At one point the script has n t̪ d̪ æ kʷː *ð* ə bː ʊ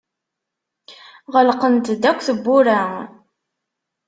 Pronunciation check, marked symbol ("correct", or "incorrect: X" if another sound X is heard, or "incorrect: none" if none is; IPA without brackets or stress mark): incorrect: θ